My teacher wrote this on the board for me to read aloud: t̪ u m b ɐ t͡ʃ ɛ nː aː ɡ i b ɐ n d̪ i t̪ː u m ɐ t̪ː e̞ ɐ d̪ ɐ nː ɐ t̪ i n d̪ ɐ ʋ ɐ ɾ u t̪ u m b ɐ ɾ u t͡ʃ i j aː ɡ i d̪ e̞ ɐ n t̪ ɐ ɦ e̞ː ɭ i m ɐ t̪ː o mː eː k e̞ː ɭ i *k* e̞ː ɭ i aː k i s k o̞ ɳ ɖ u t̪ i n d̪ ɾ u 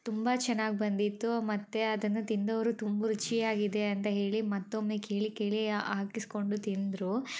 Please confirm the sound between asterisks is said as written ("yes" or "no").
yes